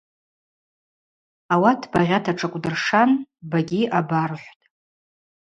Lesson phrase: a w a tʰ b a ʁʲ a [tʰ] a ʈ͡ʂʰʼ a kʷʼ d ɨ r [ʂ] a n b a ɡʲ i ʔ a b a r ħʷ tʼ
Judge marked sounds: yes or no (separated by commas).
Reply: yes, yes